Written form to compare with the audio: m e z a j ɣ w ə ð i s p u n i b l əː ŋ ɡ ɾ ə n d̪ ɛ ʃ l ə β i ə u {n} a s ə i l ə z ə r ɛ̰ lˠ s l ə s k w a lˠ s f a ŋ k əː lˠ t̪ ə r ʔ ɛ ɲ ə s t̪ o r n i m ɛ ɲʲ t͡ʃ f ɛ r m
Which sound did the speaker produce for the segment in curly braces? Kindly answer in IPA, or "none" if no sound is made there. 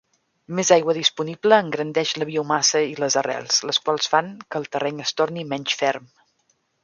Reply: m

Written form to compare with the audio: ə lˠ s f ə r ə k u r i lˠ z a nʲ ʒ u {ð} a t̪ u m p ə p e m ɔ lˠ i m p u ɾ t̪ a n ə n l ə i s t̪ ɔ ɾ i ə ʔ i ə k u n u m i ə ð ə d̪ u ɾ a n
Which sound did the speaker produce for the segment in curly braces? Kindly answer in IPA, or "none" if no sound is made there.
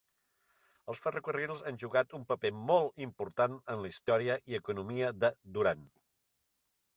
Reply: ɣ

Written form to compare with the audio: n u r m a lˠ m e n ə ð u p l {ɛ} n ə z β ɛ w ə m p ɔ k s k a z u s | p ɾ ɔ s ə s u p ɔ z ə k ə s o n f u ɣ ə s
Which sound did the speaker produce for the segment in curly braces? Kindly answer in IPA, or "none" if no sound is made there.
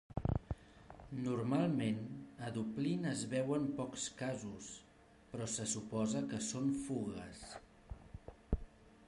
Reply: i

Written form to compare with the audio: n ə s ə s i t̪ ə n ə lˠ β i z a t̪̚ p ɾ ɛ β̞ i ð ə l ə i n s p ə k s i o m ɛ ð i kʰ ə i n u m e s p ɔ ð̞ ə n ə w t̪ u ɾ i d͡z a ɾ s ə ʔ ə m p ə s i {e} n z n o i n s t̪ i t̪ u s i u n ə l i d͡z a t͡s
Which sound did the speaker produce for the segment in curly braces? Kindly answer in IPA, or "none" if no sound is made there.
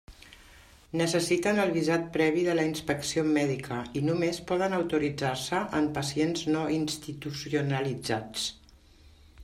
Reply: e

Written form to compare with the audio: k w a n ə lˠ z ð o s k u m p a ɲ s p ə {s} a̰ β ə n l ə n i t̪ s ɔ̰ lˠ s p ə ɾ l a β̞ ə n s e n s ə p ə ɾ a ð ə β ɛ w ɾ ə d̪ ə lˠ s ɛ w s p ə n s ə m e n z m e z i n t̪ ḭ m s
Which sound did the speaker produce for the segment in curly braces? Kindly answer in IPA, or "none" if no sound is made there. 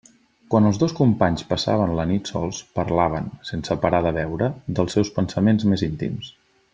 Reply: s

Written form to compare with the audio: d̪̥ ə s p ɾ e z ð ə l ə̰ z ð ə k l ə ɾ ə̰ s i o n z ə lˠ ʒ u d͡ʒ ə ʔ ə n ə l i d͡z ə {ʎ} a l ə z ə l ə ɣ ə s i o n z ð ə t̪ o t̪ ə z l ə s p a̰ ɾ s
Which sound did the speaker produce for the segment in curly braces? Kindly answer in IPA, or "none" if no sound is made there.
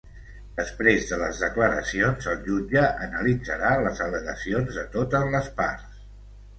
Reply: ɾ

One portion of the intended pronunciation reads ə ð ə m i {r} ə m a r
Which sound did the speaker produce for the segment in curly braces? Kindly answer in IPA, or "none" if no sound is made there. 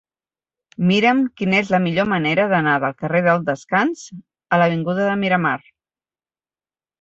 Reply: ɾ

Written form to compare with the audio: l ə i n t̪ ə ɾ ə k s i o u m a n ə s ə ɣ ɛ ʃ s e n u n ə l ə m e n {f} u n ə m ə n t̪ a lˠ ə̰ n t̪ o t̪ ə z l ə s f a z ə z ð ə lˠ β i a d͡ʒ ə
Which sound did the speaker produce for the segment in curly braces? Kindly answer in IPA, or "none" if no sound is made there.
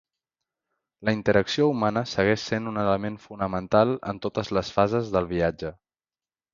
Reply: f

